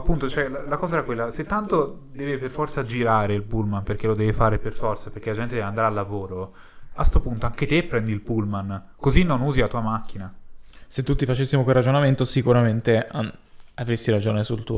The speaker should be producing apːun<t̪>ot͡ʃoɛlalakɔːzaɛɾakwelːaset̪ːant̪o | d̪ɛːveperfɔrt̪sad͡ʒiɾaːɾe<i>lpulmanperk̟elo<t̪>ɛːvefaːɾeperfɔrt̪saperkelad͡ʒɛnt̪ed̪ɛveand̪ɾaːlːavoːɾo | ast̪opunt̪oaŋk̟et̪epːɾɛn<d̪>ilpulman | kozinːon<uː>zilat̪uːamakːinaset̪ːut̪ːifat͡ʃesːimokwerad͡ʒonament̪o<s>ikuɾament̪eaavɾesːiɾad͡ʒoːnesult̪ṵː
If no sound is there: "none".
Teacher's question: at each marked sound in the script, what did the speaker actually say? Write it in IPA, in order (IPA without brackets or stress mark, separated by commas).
t̪, i, d̪, d̪, uː, s